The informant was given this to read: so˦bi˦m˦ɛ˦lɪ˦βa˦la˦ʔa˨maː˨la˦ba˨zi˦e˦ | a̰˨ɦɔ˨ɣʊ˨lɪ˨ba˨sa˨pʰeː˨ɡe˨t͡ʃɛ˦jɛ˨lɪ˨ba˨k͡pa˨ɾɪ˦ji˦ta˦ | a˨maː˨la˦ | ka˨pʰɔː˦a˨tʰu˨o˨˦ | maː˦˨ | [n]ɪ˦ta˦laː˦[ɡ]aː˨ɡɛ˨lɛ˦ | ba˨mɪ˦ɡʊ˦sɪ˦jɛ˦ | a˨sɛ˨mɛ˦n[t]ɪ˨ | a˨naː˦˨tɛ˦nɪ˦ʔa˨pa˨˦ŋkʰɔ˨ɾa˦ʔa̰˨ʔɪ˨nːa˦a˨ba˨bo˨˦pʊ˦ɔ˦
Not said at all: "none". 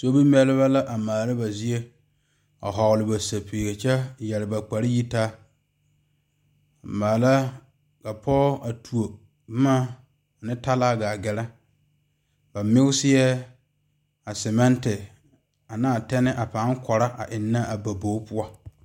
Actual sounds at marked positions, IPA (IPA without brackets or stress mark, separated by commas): n, ɡ, t